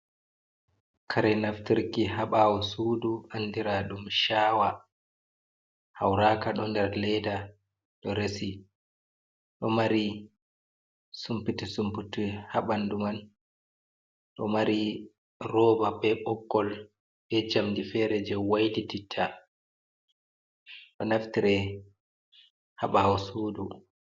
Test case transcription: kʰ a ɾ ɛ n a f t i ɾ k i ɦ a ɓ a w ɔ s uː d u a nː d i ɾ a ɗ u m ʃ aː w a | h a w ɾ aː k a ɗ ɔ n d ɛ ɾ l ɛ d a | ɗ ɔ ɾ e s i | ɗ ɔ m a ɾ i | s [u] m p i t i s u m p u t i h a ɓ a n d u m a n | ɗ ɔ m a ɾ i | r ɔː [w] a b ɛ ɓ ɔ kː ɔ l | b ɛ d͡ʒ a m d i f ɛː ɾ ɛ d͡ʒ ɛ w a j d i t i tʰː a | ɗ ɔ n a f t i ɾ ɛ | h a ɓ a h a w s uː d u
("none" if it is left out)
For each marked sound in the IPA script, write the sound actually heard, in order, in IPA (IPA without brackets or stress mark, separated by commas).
u, b